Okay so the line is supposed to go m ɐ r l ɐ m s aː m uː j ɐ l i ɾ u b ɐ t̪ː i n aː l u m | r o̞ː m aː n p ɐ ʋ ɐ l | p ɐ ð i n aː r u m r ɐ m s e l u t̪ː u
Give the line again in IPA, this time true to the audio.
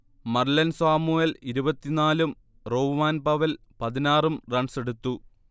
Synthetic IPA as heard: m ɐ r l ɐ n s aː m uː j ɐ l i ɾ u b ɐ t̪ː i n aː l u m | r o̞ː m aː n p ɐ ʋ ɐ l | p ɐ ð i n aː r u m r ɐ ɳ s e ɽ u t̪ː u